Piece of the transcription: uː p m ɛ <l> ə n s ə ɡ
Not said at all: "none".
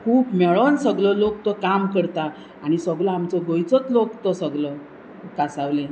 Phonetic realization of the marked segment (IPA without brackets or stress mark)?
ɭ